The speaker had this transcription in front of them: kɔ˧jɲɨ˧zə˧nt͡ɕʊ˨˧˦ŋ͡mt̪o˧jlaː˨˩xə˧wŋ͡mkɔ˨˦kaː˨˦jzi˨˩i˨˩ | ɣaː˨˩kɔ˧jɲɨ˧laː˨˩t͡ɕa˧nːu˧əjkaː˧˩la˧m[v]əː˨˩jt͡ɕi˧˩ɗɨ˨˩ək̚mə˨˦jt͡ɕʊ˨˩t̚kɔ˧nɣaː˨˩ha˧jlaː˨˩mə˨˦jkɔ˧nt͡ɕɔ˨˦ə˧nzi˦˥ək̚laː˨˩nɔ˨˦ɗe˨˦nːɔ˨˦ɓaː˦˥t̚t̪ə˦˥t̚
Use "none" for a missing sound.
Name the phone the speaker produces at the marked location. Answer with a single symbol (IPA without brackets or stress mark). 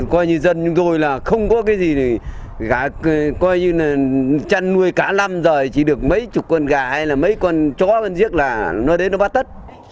z